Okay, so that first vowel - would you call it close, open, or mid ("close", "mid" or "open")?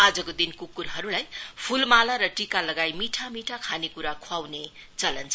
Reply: open